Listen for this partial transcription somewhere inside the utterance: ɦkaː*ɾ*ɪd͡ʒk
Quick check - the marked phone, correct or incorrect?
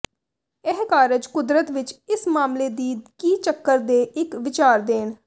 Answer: correct